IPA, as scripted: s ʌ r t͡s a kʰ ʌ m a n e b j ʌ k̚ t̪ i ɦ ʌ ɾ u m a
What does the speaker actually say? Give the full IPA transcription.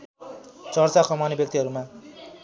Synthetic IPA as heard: t͡s ʌ r t͡s a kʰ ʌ m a n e b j ʌ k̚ t̪ i ɦ ʌ ɾ u m a